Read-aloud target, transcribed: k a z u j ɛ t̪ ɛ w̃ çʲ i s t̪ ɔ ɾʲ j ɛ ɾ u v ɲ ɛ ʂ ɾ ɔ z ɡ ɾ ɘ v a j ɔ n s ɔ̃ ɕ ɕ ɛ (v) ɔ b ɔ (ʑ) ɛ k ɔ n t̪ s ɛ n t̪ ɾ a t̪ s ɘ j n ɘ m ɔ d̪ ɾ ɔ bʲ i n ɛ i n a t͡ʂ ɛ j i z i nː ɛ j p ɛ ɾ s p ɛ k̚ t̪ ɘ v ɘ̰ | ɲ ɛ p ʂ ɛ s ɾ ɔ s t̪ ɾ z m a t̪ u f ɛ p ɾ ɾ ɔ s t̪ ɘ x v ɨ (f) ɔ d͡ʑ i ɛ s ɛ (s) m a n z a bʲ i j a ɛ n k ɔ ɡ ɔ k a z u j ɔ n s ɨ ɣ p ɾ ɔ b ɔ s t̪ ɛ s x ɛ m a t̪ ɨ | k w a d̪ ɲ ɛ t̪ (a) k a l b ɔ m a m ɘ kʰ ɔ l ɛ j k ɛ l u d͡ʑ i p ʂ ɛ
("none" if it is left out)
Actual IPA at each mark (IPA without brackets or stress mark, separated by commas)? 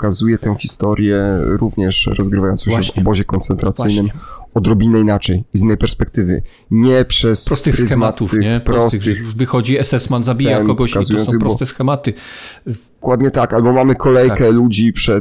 v, ʑ, x, s, a